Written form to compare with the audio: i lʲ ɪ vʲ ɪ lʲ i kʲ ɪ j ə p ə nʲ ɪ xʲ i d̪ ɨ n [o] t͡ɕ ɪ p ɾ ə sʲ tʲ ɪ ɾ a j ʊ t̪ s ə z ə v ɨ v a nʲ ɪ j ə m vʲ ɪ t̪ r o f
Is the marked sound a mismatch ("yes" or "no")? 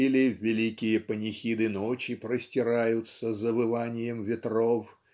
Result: no